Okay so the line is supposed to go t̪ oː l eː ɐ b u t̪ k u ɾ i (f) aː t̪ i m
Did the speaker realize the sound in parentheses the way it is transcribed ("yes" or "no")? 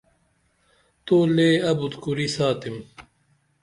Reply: no